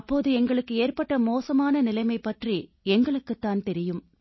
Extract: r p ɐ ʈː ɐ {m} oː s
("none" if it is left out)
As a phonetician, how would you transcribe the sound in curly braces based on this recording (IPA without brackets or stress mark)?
m